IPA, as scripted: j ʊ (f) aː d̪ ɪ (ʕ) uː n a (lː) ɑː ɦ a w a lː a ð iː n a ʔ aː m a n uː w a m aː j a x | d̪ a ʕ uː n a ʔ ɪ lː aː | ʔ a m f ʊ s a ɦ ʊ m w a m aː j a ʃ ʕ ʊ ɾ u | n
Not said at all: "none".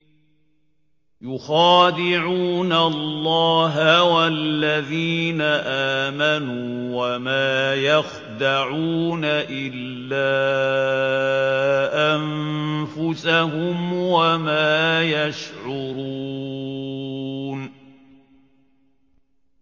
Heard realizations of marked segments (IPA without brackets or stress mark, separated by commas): x, ʕ, lː